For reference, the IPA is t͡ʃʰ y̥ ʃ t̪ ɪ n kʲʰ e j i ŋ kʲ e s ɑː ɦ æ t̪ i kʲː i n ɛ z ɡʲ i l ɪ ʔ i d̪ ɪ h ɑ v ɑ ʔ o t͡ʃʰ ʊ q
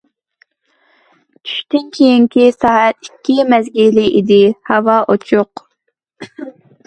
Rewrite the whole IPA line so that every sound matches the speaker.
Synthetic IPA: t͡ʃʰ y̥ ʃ t̪ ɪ n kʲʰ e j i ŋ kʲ i s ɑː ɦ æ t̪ i kʲː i m ɛ z ɡʲ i l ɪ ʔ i d̪ ɪ h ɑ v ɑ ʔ o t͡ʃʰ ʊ q